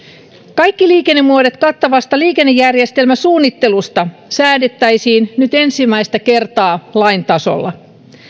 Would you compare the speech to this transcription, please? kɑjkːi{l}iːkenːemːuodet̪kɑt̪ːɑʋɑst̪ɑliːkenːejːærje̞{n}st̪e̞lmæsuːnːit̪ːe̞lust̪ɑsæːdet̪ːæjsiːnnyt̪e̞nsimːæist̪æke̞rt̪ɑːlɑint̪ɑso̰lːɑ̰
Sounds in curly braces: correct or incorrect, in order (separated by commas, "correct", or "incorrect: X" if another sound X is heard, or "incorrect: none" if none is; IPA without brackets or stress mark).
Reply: correct, incorrect: none